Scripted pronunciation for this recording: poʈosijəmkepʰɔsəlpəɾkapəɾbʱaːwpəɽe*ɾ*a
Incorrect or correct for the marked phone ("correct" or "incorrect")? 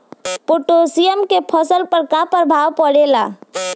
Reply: incorrect